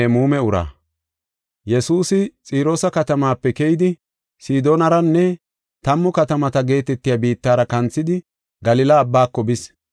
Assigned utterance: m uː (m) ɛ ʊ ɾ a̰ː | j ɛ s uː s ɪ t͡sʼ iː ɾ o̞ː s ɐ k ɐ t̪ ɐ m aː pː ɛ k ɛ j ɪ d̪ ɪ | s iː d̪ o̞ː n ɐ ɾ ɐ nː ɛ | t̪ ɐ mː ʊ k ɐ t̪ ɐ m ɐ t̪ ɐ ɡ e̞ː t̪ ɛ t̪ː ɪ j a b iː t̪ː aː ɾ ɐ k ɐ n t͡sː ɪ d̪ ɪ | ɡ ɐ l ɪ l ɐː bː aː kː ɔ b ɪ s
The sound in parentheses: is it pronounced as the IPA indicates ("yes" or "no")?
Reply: yes